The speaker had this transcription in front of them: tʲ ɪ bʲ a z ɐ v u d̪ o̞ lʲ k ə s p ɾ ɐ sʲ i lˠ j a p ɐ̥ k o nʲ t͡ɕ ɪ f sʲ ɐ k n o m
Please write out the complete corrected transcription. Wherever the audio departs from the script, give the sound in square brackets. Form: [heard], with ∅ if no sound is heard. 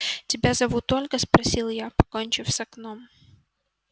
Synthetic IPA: tʲ ɪ bʲ a z ɐ v u [t̪] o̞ lʲ k ə s p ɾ ɐ sʲ i lˠ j a p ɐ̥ k o nʲ t͡ɕ ɪ f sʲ ɐ k n o m